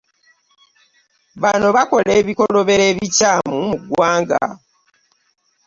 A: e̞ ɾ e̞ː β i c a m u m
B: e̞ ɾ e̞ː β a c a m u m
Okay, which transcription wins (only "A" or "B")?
A